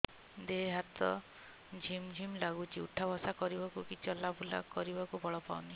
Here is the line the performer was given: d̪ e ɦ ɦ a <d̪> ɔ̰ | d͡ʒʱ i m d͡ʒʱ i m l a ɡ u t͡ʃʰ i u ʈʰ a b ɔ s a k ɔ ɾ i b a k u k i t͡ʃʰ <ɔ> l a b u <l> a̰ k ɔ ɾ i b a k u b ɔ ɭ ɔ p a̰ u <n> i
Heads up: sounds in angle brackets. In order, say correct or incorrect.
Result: incorrect, correct, correct, correct

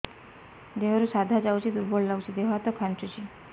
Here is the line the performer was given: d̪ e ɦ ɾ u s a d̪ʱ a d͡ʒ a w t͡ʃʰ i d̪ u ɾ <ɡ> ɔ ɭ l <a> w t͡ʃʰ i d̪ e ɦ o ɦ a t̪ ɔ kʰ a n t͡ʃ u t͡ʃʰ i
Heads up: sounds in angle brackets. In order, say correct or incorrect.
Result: incorrect, correct

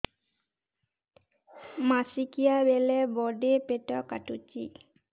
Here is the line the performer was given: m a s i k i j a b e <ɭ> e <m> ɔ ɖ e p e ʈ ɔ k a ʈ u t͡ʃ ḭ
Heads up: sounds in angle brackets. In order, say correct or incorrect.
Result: incorrect, incorrect

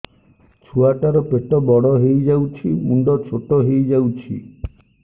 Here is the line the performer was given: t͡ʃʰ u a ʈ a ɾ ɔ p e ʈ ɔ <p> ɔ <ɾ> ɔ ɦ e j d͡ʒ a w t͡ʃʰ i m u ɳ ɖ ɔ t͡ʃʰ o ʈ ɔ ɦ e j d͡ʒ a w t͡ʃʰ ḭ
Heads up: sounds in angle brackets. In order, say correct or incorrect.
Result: incorrect, incorrect

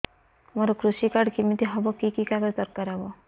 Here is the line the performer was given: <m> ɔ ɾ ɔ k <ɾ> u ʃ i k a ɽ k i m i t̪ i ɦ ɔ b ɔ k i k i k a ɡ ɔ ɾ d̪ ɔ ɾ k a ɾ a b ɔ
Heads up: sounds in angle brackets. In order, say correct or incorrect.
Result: correct, correct

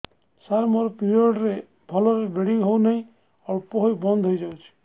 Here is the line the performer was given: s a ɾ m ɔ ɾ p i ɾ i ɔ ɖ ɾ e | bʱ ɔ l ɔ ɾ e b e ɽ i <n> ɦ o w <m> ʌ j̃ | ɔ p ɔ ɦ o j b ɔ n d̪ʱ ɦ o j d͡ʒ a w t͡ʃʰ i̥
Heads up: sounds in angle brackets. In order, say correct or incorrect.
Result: incorrect, incorrect

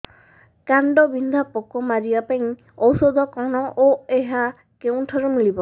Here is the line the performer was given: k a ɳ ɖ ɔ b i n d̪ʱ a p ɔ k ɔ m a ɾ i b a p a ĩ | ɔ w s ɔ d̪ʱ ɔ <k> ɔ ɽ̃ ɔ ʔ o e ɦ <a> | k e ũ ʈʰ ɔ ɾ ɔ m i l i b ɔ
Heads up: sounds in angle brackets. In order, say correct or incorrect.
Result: correct, correct

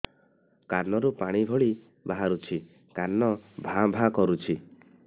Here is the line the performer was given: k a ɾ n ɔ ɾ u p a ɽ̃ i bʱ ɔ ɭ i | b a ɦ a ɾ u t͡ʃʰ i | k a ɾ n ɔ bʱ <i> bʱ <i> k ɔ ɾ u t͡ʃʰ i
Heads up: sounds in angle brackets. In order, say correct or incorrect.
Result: incorrect, incorrect

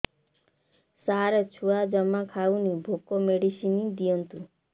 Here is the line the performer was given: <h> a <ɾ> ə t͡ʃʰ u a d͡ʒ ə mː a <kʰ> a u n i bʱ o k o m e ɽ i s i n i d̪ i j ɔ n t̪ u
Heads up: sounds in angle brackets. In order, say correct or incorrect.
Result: incorrect, correct, correct

